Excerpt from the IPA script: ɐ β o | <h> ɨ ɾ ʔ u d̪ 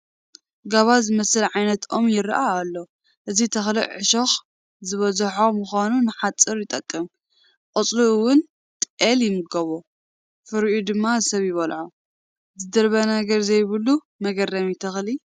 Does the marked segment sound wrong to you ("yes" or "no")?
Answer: yes